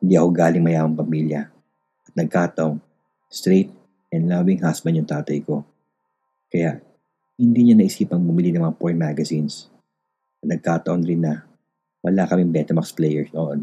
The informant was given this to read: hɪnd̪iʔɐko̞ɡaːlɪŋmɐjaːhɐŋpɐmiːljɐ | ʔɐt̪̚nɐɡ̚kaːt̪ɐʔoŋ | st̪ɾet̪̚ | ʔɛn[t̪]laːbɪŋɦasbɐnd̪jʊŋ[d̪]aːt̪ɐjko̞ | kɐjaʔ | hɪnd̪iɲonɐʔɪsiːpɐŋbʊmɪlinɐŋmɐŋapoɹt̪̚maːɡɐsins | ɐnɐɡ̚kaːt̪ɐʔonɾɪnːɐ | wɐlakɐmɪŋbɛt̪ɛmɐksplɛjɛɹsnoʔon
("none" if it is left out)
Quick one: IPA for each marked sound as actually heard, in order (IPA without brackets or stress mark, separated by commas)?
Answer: d̪, t̪